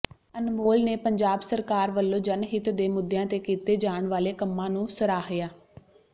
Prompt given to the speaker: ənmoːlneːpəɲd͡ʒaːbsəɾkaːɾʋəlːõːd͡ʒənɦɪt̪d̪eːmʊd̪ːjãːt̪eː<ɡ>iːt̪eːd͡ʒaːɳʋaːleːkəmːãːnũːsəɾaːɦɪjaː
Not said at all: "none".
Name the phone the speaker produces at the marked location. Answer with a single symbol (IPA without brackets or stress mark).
k